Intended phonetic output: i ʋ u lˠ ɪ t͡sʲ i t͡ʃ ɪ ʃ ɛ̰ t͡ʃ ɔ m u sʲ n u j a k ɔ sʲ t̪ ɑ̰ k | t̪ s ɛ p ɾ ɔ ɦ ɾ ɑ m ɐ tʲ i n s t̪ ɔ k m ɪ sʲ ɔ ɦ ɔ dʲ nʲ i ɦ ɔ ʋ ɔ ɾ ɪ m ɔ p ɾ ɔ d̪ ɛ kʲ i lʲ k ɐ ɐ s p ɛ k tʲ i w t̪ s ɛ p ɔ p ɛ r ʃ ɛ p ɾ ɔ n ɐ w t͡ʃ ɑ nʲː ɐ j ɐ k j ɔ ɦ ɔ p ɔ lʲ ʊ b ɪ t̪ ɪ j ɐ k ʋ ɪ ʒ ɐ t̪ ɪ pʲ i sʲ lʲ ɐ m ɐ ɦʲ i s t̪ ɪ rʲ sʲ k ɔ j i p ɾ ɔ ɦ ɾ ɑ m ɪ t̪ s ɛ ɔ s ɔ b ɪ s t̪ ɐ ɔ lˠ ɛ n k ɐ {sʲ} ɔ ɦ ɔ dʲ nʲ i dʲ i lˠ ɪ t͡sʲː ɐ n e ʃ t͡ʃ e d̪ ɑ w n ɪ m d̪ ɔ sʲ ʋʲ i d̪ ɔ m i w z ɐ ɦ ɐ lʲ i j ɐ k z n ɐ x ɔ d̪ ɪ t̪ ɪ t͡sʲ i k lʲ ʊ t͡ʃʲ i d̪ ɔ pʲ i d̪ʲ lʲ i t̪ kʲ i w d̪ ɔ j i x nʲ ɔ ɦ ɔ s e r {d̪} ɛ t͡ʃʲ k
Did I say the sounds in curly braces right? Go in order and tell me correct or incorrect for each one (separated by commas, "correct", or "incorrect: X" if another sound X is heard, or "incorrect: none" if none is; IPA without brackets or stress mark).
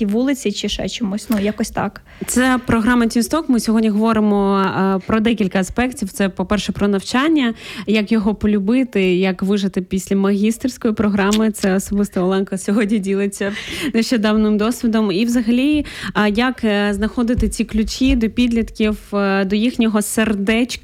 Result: correct, correct